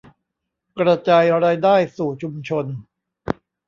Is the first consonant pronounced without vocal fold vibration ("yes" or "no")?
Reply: yes